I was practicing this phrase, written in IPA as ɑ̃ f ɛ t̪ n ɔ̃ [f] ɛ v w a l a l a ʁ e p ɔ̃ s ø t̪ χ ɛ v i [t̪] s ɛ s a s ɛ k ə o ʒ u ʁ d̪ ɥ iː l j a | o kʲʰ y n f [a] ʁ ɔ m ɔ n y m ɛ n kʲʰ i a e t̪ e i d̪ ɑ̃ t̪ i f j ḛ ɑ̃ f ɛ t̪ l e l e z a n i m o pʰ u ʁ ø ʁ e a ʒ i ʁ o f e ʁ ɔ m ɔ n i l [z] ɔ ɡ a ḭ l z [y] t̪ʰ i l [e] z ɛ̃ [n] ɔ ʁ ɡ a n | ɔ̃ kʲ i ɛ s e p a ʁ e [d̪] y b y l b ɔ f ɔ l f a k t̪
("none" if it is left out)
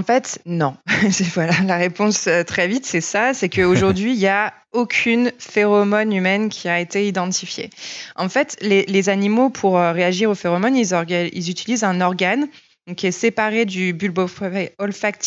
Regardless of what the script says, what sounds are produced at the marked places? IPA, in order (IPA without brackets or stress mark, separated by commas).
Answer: s, t̪, e, z, y, i, n, d̪